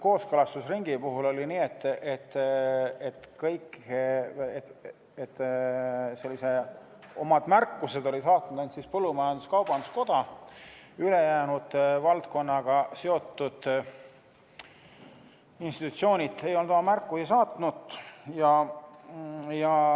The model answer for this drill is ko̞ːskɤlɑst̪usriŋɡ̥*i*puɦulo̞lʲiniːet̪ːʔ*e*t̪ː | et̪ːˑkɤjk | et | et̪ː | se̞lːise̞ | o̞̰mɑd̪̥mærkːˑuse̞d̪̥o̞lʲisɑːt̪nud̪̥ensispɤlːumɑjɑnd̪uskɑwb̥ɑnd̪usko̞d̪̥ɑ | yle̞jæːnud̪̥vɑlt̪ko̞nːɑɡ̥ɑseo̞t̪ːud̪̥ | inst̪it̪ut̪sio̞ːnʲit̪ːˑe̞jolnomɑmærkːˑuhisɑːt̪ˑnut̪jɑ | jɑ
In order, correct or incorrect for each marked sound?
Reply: correct, correct

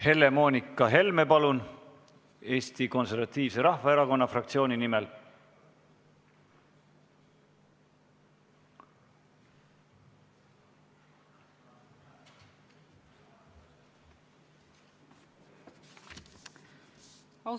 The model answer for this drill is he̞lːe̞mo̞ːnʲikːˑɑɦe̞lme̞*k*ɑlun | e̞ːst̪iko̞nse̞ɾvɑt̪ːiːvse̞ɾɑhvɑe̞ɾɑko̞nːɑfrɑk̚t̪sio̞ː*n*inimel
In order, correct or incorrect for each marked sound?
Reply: incorrect: p, correct

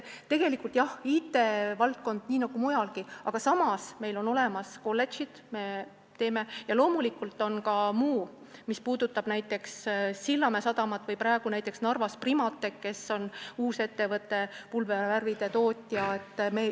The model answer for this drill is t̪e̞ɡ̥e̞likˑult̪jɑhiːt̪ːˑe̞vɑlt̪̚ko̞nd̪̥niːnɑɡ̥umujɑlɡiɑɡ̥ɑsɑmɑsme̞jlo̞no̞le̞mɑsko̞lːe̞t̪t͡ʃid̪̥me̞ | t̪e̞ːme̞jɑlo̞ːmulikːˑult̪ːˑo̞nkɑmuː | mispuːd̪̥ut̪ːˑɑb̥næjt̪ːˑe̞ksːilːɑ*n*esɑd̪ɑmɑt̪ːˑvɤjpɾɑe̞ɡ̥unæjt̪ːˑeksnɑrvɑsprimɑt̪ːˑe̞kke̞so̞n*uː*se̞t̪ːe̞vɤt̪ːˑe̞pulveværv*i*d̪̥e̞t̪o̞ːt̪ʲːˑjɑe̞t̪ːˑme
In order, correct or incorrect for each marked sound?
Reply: incorrect: m, correct, correct

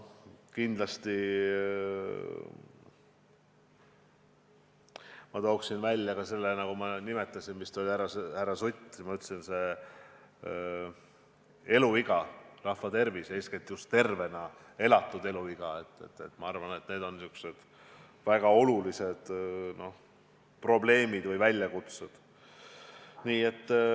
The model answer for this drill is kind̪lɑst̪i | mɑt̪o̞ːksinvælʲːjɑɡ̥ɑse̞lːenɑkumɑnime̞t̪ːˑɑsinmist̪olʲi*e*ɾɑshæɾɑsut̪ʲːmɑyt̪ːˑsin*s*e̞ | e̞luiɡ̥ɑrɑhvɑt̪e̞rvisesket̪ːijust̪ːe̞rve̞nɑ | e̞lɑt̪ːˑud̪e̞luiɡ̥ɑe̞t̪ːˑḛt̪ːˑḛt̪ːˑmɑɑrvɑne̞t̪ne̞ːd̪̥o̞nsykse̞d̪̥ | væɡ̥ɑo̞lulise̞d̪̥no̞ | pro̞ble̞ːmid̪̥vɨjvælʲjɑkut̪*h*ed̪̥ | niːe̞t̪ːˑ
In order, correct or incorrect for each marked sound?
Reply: incorrect: æ, correct, incorrect: s

